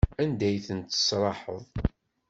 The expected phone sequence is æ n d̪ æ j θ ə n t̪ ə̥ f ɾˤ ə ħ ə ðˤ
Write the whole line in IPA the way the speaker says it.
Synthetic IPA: æ n d̪ æ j θ ə n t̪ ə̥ s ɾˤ ɑ ħ ə ðˤ